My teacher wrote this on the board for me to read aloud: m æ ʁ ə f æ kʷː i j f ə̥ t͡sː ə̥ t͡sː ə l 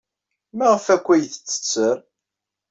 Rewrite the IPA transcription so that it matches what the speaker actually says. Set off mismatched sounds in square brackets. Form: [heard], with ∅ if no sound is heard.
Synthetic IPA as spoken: m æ ʁ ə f æ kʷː [æ] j [θ] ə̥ t͡sː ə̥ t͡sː ə [ɾ]